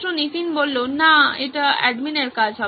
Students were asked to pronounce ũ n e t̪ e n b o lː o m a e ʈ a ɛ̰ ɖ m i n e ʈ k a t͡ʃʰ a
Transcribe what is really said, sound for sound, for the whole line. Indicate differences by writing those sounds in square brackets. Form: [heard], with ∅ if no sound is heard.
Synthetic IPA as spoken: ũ n [i] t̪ [i] n b o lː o [n] a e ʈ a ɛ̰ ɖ m i n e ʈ k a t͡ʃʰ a